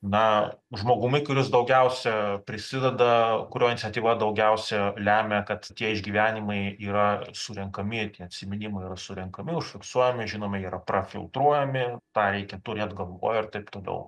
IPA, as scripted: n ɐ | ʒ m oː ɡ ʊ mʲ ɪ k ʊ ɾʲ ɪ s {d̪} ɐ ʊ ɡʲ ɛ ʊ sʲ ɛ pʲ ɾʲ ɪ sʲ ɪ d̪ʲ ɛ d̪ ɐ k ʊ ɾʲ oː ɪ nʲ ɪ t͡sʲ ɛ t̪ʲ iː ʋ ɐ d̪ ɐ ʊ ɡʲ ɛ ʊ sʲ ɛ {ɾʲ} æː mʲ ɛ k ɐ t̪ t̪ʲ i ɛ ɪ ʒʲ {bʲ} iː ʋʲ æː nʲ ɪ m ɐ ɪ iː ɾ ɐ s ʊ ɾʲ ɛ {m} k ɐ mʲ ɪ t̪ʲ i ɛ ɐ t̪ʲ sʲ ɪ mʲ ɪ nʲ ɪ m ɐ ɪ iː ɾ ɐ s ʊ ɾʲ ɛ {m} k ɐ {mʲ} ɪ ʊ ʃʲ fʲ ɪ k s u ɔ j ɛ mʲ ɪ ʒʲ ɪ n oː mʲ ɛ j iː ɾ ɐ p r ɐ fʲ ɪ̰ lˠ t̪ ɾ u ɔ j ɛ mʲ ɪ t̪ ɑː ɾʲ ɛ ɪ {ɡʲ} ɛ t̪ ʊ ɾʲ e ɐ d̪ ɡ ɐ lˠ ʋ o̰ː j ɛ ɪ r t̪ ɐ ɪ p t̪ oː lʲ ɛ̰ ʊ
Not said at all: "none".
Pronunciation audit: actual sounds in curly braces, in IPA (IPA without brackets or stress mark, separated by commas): d̪, lʲ, ɡʲ, ŋ, ŋ, mʲ, kʲ